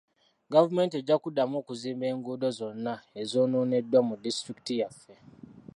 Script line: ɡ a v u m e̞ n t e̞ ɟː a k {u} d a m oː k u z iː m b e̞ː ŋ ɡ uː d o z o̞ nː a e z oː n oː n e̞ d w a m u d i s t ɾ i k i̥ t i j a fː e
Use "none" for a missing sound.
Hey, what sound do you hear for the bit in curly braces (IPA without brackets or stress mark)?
u